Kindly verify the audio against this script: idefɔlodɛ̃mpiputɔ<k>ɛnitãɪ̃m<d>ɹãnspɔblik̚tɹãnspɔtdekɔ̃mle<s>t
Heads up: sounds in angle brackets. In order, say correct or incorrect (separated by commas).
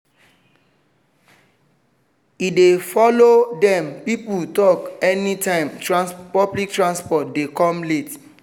correct, incorrect, incorrect